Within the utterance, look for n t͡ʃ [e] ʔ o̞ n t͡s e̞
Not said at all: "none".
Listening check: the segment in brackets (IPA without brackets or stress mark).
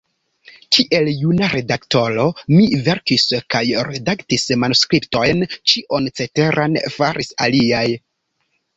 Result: i